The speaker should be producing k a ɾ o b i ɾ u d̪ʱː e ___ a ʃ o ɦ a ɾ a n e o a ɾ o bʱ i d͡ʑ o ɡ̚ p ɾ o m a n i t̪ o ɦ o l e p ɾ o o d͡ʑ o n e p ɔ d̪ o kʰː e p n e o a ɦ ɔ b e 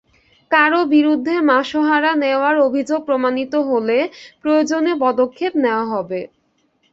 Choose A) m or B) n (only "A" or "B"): A